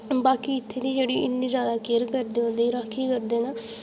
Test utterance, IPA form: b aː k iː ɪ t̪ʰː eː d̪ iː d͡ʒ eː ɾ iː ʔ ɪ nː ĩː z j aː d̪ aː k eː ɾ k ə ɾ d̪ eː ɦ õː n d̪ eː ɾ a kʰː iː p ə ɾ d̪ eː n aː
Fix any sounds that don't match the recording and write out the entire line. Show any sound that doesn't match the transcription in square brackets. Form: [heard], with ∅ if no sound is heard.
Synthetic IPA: b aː k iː ɪ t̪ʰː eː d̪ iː d͡ʒ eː [ɽ] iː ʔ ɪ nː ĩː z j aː d̪ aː k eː ɾ k ə ɾ d̪ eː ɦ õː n d̪ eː ɾ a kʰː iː [k] ə ɾ d̪ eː n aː